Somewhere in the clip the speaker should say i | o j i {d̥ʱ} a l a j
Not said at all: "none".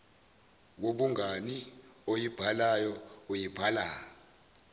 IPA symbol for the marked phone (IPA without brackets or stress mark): b̥ʱ